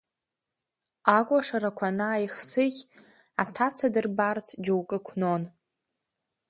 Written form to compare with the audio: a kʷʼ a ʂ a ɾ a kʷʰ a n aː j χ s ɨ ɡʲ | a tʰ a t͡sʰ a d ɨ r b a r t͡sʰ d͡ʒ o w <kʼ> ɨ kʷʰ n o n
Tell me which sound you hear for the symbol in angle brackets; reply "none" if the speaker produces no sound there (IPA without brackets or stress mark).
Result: kʼ